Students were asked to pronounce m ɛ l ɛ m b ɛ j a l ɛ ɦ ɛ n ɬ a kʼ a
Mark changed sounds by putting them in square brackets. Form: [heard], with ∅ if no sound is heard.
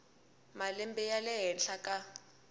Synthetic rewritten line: m [a] l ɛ m b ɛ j a l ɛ ɦ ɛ n ɬ a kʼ a